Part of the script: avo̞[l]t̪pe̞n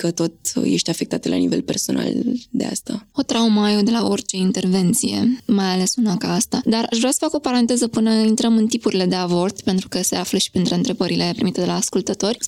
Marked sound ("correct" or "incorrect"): incorrect